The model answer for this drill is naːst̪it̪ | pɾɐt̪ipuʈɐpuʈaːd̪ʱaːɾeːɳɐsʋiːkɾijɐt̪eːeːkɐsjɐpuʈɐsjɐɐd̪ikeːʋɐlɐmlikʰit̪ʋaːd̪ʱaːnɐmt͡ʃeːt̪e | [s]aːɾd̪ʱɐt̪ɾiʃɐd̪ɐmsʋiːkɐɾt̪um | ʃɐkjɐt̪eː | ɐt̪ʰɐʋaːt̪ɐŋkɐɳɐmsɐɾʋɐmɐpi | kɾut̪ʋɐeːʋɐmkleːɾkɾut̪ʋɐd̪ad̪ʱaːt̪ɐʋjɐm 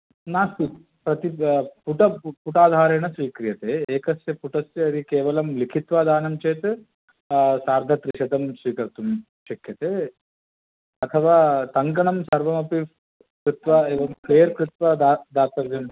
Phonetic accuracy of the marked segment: correct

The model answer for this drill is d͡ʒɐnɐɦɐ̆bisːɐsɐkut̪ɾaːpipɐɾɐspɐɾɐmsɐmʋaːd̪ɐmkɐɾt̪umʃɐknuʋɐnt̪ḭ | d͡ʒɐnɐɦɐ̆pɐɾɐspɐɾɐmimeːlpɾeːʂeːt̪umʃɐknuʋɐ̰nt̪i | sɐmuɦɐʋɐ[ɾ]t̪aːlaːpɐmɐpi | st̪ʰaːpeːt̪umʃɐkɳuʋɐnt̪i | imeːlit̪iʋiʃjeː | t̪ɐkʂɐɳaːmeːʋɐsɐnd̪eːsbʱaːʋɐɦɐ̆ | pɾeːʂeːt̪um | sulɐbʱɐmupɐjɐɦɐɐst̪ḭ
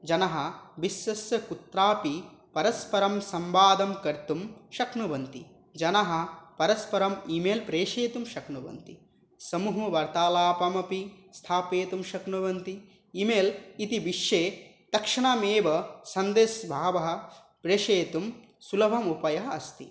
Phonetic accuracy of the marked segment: correct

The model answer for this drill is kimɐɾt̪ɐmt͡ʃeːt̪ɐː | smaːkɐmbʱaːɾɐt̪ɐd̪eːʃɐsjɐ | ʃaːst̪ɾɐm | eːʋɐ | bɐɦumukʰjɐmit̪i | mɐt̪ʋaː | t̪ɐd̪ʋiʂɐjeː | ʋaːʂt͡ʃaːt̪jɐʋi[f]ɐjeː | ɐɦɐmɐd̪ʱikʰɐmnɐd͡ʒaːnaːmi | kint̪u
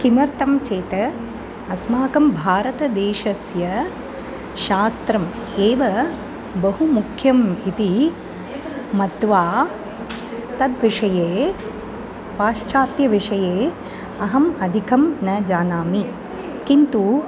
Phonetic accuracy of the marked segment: incorrect: ʂ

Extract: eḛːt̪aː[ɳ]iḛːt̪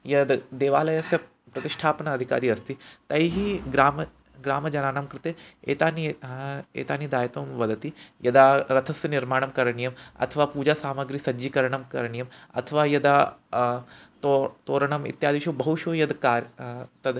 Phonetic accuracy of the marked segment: incorrect: n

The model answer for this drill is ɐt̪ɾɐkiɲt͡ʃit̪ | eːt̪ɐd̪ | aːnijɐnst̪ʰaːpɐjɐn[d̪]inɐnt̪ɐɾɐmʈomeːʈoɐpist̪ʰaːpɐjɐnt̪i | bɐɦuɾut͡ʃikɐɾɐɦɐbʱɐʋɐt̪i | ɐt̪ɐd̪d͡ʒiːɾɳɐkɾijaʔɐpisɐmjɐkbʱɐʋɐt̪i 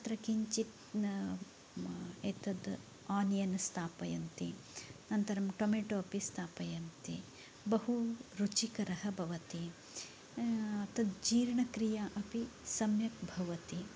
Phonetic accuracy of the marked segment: incorrect: t̪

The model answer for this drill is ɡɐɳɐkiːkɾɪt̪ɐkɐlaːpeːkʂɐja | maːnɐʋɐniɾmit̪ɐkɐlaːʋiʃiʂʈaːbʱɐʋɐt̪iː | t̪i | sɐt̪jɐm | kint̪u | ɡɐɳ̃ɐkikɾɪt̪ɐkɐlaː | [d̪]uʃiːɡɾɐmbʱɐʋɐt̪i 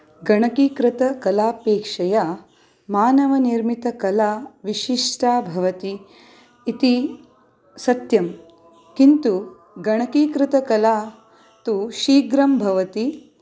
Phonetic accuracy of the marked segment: incorrect: t̪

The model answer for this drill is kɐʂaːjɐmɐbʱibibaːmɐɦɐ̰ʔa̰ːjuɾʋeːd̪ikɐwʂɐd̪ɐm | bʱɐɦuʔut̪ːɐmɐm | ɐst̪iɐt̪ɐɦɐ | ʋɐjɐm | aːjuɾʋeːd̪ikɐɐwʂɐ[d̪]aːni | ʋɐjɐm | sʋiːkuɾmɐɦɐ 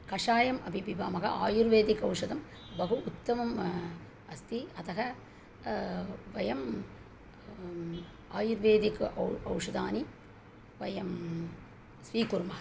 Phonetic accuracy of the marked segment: correct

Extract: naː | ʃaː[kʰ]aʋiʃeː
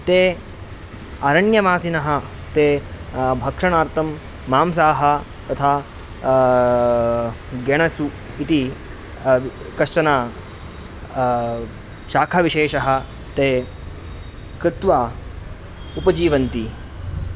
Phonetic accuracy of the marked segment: correct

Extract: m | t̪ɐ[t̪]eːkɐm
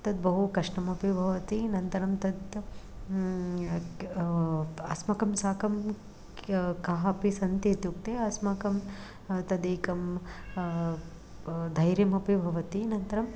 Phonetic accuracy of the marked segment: incorrect: d̪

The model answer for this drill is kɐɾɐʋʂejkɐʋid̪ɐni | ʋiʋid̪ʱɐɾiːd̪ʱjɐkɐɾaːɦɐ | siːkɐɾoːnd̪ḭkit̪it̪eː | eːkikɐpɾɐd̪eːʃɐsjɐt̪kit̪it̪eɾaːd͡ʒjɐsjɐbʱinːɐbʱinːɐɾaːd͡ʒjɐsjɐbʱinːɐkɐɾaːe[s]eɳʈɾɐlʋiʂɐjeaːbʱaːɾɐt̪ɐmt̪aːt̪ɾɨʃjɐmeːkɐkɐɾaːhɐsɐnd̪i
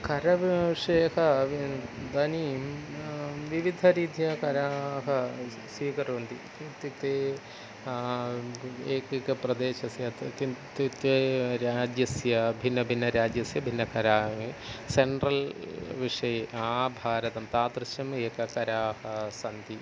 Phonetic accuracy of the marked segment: correct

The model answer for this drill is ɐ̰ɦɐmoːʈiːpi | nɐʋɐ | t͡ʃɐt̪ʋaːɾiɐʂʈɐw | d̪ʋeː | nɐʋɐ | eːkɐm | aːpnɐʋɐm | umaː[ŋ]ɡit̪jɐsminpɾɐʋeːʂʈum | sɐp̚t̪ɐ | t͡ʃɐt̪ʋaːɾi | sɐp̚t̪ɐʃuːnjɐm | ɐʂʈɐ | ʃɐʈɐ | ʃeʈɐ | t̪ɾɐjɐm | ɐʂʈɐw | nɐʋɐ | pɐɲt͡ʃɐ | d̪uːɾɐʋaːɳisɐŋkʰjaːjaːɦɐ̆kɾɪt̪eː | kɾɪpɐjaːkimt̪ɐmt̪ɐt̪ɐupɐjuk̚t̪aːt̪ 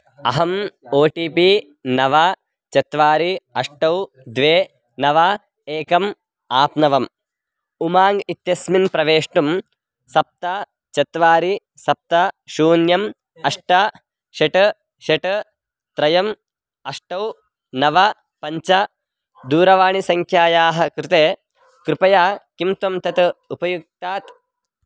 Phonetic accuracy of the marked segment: correct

